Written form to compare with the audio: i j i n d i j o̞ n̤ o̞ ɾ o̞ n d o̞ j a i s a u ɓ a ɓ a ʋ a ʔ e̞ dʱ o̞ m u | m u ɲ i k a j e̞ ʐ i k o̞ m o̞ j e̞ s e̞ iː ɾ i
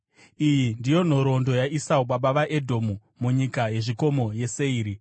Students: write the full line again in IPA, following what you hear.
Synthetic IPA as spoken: i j i n d i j o̞ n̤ o̞ ɾ o̞ n d o̞ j a i s a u ɓ a ɓ a ʋ a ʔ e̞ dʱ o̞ m u | m u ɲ i k a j e̞ ʐ i k o̞ m o̞ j e̞ s e̞ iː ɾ i

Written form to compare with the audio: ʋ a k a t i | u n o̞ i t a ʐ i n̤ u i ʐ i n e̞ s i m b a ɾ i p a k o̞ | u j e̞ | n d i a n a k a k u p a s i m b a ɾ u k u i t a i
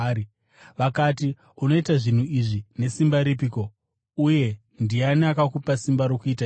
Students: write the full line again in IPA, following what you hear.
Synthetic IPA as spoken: ʋ a k a t i | u n o̞ i t a ʐ i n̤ u i ʐ i n e̞ s i m b a ɾ i p i k o̞ | u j e̞ | n d i a n a k a k u p a s i m b a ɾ o k u i t a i

